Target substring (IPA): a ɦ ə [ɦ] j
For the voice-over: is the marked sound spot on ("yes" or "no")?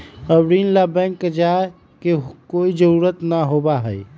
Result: no